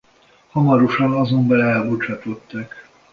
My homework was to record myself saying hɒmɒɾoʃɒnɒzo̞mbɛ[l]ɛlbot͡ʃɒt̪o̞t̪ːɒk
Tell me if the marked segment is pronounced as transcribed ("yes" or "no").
yes